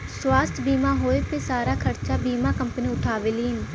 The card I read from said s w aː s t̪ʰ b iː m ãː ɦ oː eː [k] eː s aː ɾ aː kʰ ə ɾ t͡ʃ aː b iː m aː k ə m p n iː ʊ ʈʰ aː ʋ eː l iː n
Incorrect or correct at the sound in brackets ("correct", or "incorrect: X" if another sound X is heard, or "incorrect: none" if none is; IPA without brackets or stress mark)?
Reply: incorrect: p